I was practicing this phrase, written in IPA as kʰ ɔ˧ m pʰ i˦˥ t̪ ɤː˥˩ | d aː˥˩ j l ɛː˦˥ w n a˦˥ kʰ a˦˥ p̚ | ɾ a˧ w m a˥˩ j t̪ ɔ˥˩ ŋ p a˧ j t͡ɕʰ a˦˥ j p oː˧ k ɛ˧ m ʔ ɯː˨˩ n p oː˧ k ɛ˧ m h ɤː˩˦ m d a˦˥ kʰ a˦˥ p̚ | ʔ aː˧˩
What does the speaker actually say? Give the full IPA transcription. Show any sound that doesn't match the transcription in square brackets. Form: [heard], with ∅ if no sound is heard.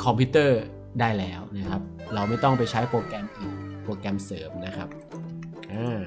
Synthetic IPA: kʰ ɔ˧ m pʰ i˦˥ t̪ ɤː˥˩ | d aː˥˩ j l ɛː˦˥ w n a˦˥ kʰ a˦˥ p̚ | ɾ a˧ w m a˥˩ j t̪ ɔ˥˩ ŋ p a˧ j t͡ɕʰ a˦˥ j p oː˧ k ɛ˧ m ʔ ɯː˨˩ n p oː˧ k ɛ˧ m [s] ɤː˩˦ m [n] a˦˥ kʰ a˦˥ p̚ | ʔ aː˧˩